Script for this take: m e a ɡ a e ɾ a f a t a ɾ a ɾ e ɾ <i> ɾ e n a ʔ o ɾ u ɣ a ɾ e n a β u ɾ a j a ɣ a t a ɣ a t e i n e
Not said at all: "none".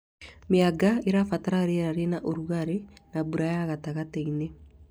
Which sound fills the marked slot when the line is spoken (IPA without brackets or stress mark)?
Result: a